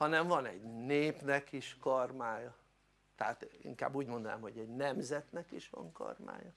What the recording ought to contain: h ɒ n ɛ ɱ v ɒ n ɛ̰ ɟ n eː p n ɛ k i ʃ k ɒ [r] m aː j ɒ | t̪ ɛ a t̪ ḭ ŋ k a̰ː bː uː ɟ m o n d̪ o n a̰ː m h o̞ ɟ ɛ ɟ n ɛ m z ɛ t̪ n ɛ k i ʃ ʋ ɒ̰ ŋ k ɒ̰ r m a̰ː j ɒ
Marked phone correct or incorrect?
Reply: correct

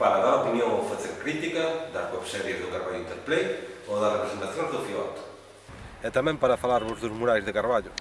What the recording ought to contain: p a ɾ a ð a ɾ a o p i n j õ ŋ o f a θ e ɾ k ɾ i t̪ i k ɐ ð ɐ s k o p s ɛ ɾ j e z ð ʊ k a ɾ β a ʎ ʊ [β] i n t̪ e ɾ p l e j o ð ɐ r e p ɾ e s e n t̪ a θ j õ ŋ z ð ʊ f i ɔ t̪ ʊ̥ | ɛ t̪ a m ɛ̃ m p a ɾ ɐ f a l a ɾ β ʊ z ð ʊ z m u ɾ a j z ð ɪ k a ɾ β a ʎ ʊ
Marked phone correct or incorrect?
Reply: incorrect: none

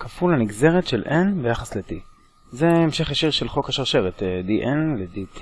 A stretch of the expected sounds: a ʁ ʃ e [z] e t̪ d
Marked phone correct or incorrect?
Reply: incorrect: ʁ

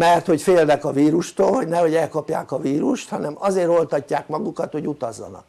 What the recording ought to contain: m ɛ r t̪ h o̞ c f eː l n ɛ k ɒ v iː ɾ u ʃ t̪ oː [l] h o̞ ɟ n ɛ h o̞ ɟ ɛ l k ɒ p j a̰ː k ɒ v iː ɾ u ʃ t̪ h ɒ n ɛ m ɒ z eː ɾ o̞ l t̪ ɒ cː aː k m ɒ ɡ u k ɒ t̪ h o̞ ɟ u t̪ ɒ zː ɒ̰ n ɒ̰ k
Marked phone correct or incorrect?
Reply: correct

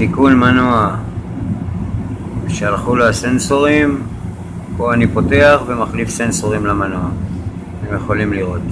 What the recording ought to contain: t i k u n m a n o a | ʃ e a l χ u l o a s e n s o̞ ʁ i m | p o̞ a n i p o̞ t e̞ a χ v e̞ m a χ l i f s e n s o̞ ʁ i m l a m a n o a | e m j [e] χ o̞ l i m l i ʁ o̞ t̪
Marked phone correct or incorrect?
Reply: correct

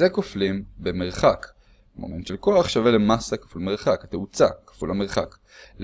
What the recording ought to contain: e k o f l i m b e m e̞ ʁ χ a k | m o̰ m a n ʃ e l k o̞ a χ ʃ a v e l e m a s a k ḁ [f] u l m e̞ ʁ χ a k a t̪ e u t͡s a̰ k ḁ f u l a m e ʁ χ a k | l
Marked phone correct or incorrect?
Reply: correct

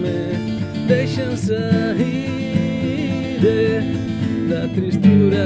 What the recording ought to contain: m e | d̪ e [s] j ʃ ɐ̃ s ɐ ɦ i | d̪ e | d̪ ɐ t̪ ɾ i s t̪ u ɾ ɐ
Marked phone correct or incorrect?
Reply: incorrect: none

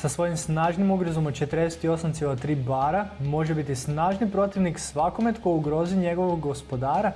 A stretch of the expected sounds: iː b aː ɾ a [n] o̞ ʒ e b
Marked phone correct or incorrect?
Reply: incorrect: m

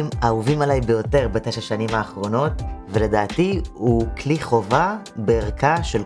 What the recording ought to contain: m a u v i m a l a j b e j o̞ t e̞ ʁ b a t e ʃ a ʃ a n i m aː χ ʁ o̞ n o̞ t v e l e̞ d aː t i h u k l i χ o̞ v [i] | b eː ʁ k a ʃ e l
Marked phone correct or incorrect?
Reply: incorrect: a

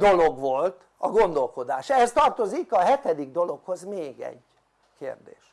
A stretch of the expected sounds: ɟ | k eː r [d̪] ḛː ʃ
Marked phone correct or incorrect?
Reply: correct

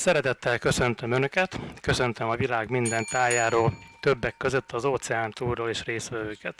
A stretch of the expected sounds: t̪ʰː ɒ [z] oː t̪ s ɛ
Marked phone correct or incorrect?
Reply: correct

